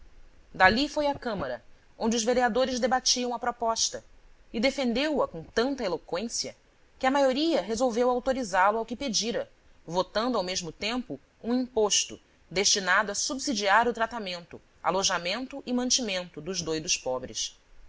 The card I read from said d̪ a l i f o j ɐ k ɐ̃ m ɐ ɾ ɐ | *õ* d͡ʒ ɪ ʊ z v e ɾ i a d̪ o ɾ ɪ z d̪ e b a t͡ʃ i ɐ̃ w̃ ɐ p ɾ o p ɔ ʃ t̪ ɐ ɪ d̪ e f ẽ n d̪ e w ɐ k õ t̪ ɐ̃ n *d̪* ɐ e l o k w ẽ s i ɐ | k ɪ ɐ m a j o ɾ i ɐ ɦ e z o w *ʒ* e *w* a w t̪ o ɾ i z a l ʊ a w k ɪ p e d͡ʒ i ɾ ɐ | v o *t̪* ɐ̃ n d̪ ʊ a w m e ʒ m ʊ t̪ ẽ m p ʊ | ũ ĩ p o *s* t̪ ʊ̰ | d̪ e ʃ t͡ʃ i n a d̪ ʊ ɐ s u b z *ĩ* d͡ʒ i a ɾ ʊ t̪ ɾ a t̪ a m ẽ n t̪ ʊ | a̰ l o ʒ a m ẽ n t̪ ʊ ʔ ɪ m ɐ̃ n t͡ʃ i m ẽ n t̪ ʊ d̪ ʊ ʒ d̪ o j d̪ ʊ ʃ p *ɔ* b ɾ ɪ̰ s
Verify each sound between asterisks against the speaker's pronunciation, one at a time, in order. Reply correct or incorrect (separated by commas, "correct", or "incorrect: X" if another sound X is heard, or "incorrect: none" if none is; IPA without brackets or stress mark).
correct, incorrect: t̪, incorrect: v, correct, correct, incorrect: ʃ, incorrect: i, correct